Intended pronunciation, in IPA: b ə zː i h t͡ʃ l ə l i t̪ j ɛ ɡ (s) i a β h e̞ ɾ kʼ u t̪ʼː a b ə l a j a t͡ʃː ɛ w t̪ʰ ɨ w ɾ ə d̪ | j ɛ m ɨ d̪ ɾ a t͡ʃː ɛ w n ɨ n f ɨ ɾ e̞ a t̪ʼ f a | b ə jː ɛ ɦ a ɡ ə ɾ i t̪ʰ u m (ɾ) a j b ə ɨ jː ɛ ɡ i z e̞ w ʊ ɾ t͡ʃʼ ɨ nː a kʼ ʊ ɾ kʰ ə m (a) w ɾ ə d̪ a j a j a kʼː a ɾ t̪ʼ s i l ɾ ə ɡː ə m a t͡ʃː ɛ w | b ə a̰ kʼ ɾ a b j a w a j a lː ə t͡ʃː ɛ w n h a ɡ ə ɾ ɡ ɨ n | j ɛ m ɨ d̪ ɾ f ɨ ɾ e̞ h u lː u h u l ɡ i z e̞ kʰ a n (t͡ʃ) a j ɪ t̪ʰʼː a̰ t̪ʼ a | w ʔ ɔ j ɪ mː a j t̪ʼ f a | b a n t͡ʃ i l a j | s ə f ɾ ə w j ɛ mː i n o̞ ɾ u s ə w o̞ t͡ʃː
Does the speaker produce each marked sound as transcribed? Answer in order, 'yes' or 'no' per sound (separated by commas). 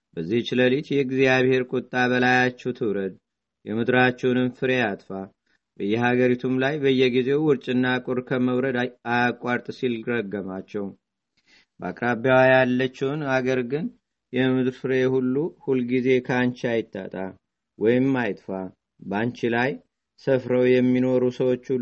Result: no, no, no, yes